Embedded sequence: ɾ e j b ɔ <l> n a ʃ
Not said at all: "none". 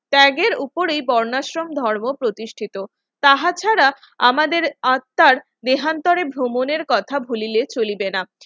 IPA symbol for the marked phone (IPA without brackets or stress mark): ɾ